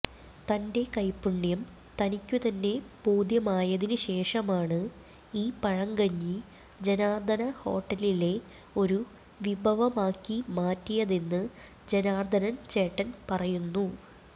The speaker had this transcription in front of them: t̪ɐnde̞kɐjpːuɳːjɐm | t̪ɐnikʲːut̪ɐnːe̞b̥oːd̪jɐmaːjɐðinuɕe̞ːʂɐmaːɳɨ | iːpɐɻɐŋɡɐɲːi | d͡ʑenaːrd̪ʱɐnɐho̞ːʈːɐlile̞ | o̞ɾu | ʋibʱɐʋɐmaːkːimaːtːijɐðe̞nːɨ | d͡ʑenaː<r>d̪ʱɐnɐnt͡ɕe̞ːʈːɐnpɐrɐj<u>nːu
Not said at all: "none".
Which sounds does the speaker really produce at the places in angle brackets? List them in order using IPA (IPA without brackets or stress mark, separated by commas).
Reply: r, u